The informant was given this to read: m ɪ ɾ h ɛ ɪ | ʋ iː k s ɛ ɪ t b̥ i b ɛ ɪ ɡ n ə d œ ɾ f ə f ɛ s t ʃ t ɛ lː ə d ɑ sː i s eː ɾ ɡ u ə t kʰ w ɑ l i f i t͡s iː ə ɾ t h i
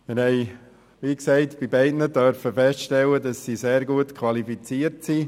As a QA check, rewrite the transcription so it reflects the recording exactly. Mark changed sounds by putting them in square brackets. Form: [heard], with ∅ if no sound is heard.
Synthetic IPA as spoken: m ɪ ɾ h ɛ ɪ | ʋ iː k s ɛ ɪ t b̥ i b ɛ ɪ [d] n ə d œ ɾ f ə f ɛ s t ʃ t ɛ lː ə d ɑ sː i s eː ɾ ɡ u ə t kʰ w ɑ l i f i t͡s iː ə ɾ t [s] i